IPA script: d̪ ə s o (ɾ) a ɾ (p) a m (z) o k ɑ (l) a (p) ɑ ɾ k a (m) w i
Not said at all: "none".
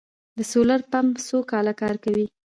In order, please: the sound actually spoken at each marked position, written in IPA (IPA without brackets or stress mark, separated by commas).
l, p, s, l, k, none